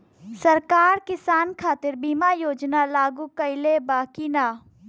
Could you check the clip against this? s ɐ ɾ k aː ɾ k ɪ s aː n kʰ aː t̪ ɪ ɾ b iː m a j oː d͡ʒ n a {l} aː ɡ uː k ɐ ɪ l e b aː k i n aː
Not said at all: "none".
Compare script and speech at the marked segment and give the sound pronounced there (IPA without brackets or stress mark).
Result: l